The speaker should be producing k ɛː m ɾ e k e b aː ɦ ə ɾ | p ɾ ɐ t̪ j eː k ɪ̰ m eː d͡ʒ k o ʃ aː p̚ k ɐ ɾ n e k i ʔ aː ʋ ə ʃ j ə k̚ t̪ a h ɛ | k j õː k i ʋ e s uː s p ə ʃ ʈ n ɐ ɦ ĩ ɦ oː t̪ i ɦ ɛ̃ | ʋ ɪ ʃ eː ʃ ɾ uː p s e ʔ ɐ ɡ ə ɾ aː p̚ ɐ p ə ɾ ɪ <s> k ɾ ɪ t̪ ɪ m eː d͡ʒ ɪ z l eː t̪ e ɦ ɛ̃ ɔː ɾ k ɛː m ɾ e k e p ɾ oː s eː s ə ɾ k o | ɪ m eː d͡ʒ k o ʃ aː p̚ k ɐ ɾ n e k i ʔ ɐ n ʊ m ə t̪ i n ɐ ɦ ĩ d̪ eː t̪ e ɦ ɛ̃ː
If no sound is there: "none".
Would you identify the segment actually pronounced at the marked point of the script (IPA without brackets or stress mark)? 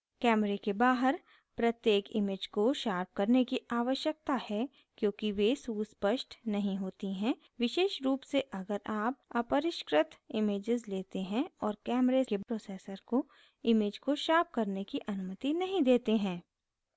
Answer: ʃ